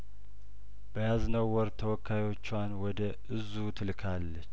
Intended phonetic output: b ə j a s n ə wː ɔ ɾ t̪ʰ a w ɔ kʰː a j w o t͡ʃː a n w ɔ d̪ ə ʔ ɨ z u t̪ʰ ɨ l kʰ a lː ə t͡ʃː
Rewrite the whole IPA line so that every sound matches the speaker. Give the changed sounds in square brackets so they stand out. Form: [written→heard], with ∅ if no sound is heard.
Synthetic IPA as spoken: b ə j a [s→z] n ə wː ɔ ɾ t̪ʰ [a→ə] w ɔ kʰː a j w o t͡ʃː a n w ɔ d̪ ə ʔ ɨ z u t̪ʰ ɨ l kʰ a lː ə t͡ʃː